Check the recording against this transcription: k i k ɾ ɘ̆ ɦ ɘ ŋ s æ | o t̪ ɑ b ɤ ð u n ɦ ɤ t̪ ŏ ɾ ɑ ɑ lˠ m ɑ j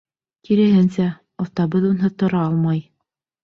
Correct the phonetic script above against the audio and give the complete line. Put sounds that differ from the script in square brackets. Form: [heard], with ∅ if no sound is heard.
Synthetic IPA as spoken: k i [∅] ɾ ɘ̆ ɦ ɘ [n] s æ | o t̪ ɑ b ɤ ð u n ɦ ɤ t̪ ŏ ɾ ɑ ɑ lˠ m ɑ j